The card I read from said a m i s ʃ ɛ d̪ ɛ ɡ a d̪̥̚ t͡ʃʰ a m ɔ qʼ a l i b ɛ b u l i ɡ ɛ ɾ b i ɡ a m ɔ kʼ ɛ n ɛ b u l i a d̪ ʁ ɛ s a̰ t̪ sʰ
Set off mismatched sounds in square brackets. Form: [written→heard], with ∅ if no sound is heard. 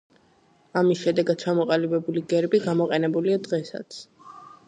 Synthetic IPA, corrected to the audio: a m i s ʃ ɛ d̪ ɛ ɡ a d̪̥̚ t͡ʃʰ a m ɔ qʼ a l i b ɛ b u l i ɡ ɛ ɾ b i ɡ a m ɔ [kʼ→qʼ] ɛ n ɛ b u l i a d̪ ʁ ɛ s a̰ t̪ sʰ